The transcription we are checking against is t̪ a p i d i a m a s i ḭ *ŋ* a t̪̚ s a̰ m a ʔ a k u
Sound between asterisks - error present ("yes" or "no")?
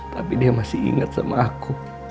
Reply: no